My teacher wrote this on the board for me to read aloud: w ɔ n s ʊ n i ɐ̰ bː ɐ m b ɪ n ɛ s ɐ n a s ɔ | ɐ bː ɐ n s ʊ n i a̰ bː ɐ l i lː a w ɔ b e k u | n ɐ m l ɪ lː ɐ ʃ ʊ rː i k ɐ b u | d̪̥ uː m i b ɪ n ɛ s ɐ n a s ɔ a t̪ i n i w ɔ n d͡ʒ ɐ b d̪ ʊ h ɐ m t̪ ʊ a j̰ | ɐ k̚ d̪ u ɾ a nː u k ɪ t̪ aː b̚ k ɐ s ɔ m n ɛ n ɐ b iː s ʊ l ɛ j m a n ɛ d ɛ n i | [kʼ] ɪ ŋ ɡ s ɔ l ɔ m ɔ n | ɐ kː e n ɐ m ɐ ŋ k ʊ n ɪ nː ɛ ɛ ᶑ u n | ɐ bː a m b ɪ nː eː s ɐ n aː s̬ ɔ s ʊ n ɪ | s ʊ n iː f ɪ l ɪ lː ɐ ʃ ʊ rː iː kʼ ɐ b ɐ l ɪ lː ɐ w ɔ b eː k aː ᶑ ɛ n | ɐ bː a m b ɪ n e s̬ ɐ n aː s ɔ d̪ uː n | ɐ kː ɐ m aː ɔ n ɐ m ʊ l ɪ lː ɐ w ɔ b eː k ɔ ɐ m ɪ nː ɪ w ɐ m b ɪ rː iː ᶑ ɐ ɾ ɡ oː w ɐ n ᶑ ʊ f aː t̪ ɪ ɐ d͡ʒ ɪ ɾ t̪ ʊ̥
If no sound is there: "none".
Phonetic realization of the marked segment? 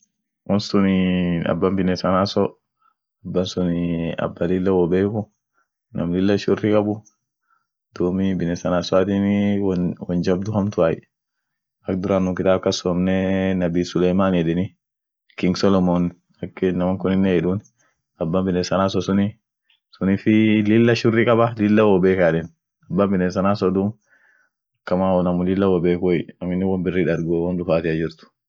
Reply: k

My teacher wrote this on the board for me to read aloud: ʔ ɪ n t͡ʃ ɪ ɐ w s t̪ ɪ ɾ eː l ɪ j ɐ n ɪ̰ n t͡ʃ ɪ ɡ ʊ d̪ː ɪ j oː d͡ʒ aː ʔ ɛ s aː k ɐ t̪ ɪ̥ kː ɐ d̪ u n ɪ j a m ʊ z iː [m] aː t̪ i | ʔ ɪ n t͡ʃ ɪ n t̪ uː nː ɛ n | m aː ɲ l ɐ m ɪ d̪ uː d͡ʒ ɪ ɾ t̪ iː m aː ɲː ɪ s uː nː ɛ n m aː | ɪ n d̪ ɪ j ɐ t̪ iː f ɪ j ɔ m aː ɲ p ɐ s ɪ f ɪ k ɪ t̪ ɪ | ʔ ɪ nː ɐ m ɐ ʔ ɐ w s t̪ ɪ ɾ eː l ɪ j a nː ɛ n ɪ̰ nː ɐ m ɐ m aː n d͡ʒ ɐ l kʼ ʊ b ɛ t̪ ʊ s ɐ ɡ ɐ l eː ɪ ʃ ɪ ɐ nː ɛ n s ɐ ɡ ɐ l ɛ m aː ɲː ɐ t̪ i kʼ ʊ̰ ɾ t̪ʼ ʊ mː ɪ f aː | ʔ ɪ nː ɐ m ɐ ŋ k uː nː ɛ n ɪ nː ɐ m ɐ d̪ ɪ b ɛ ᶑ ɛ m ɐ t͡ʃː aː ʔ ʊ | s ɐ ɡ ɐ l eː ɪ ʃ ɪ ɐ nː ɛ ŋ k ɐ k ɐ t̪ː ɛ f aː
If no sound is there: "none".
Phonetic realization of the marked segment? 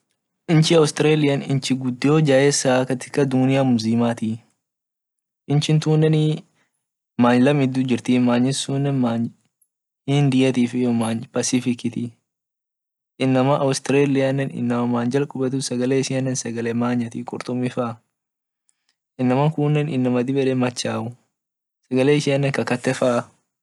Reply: m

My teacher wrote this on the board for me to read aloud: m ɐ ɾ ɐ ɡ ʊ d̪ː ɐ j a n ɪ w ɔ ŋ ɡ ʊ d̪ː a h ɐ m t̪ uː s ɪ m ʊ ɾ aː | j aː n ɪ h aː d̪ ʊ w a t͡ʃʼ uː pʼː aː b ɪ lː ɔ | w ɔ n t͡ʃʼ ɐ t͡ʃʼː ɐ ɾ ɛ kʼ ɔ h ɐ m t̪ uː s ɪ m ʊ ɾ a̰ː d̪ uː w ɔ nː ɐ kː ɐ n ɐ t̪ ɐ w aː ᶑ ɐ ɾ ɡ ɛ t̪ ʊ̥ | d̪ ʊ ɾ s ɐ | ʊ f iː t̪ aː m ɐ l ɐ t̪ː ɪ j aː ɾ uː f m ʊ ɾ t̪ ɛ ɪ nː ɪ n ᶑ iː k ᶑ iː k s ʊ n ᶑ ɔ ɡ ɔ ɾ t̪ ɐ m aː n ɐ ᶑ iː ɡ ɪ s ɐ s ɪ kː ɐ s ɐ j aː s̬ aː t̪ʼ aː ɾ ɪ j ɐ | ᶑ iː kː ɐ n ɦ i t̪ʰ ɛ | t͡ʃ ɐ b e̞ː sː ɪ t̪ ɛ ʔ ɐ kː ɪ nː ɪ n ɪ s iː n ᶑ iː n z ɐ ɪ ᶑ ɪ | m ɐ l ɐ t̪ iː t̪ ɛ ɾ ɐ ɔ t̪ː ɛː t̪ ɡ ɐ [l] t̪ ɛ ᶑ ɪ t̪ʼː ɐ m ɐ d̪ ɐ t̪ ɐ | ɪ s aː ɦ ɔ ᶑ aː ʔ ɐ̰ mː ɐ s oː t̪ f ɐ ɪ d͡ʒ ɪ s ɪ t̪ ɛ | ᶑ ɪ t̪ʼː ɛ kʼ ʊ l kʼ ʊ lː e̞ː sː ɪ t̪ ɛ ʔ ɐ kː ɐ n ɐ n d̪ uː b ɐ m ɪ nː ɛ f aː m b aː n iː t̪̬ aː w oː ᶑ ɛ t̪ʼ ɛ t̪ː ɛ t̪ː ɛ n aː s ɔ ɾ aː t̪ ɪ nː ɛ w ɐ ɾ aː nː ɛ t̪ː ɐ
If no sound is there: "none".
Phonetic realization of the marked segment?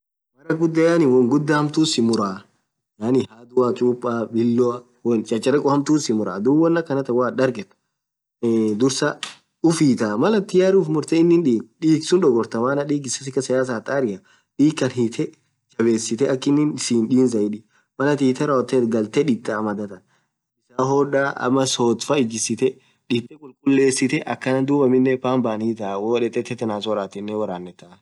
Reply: l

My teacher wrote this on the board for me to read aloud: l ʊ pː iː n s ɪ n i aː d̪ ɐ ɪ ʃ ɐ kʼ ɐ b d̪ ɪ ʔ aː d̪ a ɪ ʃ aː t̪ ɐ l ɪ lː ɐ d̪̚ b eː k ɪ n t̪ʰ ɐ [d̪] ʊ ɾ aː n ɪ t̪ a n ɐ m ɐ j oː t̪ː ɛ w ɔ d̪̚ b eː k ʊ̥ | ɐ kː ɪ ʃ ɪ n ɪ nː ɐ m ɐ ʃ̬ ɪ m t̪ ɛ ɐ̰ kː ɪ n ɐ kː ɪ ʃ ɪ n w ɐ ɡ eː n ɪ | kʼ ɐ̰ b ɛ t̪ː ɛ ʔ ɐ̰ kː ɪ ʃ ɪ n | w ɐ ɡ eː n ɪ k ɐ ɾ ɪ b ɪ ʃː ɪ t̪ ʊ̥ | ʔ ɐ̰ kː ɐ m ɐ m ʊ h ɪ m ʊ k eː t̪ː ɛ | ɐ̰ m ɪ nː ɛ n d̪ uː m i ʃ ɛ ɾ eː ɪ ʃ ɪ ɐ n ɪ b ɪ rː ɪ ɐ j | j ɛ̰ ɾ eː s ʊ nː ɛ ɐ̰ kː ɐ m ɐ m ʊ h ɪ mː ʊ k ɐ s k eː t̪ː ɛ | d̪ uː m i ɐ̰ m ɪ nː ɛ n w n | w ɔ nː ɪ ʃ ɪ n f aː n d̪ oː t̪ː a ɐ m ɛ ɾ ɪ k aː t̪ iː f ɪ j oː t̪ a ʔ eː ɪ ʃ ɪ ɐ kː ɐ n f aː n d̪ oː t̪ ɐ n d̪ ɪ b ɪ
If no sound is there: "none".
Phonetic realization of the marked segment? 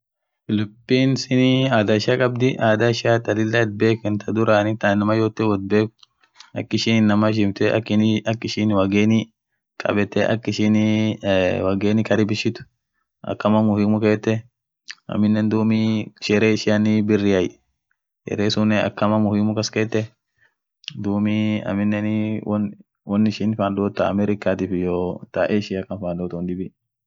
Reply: d̪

